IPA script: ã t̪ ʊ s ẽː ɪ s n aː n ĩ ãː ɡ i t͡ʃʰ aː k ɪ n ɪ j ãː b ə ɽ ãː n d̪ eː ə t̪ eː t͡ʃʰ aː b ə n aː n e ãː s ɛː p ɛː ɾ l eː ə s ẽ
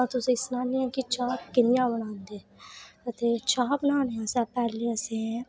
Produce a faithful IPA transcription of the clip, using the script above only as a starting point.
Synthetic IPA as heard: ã t̪ ʊ s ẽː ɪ s n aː n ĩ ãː k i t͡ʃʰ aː k ɪ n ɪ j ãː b ə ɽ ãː n d̪ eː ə t̪ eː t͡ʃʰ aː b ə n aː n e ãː s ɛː p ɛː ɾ l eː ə s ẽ